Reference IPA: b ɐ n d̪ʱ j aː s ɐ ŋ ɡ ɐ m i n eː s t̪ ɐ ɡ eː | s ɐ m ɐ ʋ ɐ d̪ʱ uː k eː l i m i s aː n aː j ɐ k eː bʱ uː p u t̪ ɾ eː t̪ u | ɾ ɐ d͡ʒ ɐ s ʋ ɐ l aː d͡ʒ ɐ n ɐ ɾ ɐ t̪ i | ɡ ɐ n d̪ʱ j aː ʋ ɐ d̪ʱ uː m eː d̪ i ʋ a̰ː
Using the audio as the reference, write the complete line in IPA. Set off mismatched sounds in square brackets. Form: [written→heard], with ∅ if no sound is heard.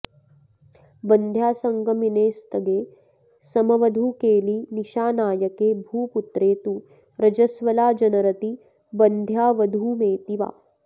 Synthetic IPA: b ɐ n d̪ʱ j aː s ɐ ŋ ɡ ɐ m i n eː s t̪ ɐ ɡ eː | s ɐ m ɐ ʋ ɐ d̪ʱ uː k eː l i [m→n] i [s→ʃ] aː n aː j ɐ k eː bʱ uː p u t̪ ɾ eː t̪ u | ɾ ɐ d͡ʒ ɐ s ʋ ɐ l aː d͡ʒ ɐ n ɐ ɾ ɐ t̪ i | [ɡ→b] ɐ n d̪ʱ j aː ʋ ɐ d̪ʱ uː m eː [d̪→t̪] i ʋ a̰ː